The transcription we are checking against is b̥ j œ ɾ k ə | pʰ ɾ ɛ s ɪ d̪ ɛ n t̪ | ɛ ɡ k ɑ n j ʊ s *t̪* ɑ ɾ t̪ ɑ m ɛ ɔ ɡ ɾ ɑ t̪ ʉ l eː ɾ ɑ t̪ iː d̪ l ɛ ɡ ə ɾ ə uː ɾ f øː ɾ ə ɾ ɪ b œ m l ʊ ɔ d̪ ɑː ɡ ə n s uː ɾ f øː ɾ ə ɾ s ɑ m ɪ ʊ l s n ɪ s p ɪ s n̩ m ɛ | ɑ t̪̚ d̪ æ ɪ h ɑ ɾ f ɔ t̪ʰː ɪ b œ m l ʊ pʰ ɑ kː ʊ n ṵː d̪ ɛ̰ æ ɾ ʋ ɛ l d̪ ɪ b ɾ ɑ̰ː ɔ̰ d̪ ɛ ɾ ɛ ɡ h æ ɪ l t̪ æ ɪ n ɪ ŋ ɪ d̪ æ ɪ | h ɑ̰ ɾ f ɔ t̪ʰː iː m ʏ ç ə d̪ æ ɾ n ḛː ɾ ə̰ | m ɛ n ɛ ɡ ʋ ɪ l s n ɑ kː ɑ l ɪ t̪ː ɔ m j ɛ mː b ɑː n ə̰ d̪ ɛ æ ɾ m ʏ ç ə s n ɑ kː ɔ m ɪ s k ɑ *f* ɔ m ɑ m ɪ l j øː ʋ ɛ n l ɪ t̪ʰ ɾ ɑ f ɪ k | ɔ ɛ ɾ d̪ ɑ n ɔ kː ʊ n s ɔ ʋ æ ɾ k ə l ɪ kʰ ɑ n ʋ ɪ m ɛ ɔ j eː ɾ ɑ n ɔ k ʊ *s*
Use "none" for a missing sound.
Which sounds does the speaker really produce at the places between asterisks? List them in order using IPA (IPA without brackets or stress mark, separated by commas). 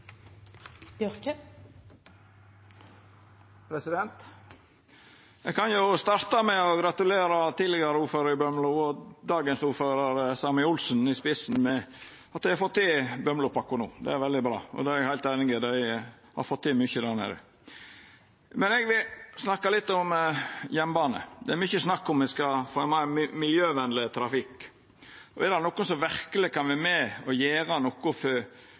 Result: t̪, f, f